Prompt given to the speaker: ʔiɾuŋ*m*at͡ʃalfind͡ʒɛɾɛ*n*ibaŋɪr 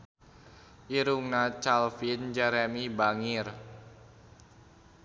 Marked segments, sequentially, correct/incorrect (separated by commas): incorrect, incorrect